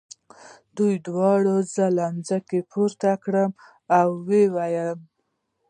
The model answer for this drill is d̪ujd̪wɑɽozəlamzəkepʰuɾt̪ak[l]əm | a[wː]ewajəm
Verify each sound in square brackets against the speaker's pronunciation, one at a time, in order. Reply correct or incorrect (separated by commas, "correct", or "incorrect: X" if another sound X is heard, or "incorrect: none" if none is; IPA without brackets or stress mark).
incorrect: ɽ, correct